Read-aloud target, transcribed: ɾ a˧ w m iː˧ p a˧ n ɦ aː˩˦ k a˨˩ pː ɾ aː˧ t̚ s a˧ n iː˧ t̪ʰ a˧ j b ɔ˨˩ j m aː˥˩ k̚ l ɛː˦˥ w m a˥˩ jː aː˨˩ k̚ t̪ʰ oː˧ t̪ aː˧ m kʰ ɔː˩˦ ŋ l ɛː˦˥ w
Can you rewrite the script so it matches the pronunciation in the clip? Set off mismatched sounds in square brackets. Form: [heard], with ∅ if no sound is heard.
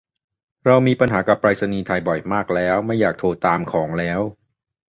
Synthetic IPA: ɾ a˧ w m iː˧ p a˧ n ɦ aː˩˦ k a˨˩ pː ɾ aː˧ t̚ s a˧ n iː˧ t̪ʰ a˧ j b ɔ˨˩ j m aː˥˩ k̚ l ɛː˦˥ w m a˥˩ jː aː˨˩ k̚ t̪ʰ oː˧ t̪ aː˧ m kʰ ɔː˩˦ ŋ l ɛː˦˥ w